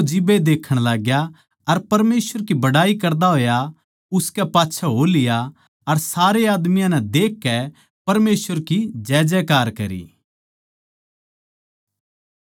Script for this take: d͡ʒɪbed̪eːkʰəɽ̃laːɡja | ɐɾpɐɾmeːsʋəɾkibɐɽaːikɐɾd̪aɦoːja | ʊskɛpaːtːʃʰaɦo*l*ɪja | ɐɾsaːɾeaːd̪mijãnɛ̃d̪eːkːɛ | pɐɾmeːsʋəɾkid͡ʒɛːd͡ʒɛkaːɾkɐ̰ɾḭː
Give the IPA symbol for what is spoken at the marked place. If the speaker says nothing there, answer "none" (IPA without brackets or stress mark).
l